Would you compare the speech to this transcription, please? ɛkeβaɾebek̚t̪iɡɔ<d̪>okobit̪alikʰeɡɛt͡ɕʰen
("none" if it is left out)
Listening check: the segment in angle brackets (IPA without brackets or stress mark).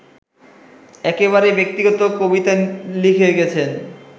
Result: t̪